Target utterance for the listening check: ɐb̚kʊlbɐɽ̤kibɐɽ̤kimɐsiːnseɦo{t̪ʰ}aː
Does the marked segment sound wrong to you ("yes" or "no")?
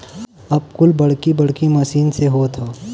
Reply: no